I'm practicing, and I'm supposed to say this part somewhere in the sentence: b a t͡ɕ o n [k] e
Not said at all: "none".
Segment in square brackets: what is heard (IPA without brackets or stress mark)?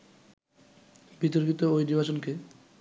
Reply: k